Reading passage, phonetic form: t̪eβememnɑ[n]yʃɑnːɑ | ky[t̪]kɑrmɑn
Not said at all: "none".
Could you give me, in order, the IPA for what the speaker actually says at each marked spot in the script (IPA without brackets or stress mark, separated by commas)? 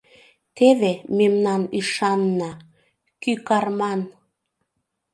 n, none